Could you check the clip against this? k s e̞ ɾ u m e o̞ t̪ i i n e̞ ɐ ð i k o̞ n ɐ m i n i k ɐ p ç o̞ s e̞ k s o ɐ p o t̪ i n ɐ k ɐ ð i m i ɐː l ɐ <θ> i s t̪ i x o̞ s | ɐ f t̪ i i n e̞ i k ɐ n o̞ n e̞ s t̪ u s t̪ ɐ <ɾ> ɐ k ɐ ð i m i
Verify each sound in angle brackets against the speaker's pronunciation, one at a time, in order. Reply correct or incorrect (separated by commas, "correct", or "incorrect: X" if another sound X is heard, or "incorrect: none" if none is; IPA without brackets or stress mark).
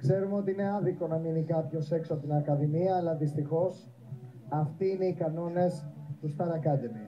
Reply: incorrect: ð, correct